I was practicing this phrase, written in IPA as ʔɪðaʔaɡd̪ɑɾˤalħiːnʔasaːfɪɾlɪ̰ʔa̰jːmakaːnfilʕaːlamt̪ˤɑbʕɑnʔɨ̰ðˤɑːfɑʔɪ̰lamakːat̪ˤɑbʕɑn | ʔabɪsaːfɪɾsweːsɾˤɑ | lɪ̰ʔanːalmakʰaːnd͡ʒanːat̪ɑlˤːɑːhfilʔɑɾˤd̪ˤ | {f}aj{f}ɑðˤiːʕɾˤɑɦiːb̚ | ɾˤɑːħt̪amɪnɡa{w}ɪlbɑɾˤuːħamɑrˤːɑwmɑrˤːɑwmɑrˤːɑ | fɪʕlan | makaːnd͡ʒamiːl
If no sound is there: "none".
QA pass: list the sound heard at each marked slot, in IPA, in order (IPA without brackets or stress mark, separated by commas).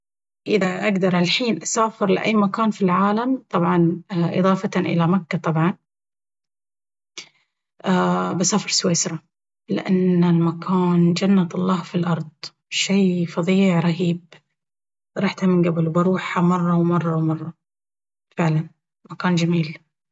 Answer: ʃ, f, b